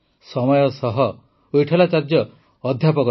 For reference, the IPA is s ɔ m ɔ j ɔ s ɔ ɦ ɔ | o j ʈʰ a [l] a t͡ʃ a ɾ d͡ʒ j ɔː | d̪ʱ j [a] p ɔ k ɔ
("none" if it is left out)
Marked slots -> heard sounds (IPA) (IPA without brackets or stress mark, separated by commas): l, a